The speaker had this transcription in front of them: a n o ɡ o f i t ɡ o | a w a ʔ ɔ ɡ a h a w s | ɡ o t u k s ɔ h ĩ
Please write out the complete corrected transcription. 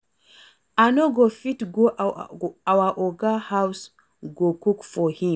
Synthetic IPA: a n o ɡ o f i t ɡ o | a w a ʔ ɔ ɡ a h a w s | ɡ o k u k f ɔ h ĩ